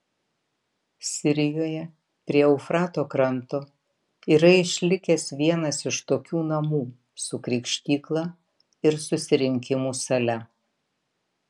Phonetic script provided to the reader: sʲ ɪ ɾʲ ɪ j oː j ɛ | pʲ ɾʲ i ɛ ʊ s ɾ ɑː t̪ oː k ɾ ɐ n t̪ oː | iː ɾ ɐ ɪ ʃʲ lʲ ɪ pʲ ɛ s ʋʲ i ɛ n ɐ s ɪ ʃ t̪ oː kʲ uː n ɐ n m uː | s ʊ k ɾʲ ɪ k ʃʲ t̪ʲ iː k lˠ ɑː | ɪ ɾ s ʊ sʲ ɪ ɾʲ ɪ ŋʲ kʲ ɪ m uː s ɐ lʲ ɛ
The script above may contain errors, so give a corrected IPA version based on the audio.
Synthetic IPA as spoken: sʲ ɪ ɾʲ ɪ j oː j ɛ | pʲ ɾʲ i ɛ ʊ f ɾ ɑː t̪ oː k ɾ ɐ n t̪ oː | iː ɾ ɐ ɪ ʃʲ lʲ ɪ kʲ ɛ s ʋʲ i ɛ n ɐ s ɪ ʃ t̪ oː kʲ uː n ɐ m uː | s ʊ k ɾʲ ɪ k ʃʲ t̪ʲ iː k lˠ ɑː | ɪ ɾ s ʊ sʲ ɪ ɾʲ ɪ ŋʲ kʲ ɪ m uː s ɐ lʲ ɛ